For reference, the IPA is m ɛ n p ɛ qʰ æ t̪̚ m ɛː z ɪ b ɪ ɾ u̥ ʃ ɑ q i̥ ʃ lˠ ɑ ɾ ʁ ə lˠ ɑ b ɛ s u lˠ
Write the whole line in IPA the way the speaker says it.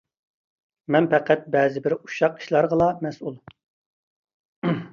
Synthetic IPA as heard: m ɛ n p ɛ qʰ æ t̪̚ b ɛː z ɪ b ɪ ɾ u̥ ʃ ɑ q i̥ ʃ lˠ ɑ ɾ ʁ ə lˠ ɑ m ɛ s u lˠ